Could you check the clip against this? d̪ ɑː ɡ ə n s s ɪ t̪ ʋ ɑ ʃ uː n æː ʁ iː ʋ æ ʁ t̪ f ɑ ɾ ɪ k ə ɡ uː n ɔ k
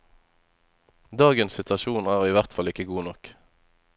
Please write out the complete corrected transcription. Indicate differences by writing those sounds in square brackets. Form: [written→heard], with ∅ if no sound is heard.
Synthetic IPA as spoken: d̪ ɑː ɡ ə n s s ɪ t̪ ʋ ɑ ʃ uː n æː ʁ iː ʋ æ ʁ t̪ f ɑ [ɾ→l] ɪ k ə ɡ uː n ɔ k